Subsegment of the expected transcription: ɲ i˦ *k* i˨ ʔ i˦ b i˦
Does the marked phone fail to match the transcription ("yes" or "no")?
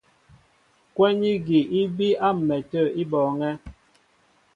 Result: yes